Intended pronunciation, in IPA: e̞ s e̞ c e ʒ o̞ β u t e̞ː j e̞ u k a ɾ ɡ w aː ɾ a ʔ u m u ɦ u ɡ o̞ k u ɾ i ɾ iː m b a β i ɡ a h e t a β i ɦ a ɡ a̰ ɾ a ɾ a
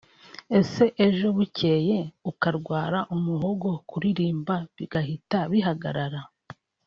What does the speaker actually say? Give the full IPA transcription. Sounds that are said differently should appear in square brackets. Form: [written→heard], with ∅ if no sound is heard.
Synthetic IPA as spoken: e̞ s e̞ [c→ʔ] e ʒ o̞ β u [t→c] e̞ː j e̞ u k a ɾ ɡ w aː ɾ a ʔ u m u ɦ [u→o] ɡ o̞ k u ɾ i ɾ iː m b a β i ɡ a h [e→i] t a β i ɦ a ɡ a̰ ɾ a ɾ a